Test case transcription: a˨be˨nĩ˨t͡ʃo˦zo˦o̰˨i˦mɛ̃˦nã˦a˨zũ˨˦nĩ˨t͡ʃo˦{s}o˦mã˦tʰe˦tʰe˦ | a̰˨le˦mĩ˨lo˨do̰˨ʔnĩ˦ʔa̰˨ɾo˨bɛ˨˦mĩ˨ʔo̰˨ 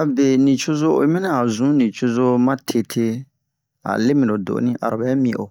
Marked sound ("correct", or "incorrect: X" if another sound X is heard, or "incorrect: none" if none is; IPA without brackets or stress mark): incorrect: z